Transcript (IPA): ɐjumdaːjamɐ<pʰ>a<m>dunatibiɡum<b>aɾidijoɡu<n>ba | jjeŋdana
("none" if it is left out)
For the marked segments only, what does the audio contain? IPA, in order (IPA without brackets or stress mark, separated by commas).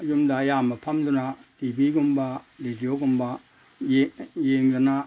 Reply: pʰ, m, b, m